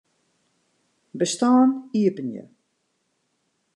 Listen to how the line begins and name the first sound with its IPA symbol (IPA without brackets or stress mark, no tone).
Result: b